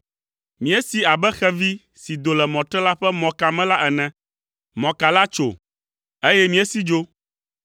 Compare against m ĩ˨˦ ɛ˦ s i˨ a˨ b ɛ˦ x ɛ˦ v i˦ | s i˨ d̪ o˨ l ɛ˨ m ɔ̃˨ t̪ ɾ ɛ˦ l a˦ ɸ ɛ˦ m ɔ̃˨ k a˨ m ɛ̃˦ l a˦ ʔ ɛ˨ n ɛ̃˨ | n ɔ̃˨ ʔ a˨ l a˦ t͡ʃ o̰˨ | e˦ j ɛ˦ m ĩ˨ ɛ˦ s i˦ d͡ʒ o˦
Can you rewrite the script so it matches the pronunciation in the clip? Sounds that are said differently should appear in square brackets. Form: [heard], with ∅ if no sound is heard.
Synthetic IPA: m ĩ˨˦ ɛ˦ s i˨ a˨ b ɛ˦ x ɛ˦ v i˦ | s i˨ d̪ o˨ l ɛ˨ m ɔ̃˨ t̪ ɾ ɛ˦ l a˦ ɸ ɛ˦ m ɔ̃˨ k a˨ m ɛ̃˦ l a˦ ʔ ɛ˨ n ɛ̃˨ | [m] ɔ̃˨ [k] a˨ l a˦ t͡ʃ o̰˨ | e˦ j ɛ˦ m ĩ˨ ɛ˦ s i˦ d͡ʒ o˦